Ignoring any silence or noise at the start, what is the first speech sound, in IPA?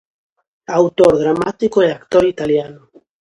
a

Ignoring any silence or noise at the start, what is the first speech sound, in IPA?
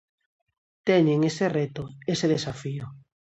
t̪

